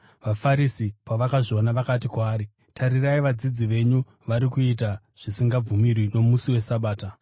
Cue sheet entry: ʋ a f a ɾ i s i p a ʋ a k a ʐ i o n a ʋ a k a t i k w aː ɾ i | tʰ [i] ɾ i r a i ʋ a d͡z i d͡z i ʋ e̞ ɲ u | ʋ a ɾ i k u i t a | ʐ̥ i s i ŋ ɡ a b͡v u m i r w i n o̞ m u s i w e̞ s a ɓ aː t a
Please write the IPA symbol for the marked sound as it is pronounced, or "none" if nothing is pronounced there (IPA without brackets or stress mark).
a